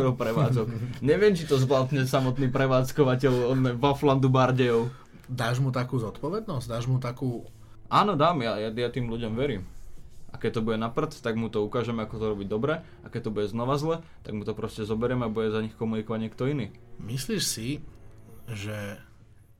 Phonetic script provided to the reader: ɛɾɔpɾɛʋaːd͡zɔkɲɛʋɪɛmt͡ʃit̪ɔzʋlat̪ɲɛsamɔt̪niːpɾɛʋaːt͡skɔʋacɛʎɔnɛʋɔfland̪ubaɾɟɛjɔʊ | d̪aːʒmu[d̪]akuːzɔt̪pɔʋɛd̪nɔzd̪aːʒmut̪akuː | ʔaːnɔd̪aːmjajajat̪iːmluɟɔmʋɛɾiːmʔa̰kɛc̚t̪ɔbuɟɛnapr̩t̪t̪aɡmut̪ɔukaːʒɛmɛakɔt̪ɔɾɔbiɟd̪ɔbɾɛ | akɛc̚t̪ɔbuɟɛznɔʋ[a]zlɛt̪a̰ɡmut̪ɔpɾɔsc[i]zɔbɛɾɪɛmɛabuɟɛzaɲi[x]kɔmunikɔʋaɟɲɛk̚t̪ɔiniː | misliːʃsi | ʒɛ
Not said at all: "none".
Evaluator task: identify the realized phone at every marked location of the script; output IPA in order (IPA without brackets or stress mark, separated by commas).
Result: t̪, a, ɛ, x